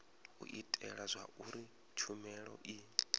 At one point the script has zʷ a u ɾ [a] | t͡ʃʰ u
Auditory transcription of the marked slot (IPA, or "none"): i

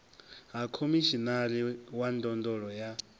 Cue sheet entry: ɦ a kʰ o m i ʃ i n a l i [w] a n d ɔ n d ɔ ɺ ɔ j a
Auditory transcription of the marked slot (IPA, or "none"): w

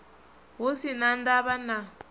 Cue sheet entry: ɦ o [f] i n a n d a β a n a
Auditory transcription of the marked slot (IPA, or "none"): s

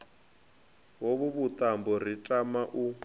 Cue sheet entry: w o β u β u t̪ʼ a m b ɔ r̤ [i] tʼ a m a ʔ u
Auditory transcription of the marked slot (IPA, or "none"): i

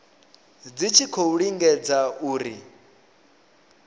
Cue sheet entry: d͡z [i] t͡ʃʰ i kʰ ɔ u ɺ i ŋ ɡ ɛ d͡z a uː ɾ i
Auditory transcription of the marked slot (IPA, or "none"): i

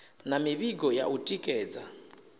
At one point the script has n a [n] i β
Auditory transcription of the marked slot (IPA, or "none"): m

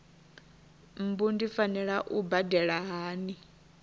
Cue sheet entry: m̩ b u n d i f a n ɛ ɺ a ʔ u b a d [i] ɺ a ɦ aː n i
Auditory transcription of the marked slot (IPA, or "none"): ɛ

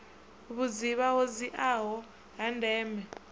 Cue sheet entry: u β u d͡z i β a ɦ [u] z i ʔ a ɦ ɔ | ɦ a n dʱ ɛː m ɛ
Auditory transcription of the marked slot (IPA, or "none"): o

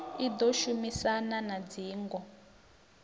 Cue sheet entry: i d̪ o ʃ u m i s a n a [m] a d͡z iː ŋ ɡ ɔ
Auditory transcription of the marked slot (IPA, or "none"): n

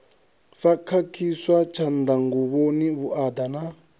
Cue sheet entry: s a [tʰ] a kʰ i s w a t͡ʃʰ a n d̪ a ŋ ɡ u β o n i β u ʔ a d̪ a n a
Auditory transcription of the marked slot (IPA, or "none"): kʰ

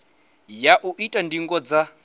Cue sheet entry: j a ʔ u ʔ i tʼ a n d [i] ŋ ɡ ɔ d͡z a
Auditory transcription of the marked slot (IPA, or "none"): i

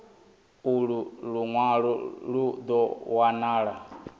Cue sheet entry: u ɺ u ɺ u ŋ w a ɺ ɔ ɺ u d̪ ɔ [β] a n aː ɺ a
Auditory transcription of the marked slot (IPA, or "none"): w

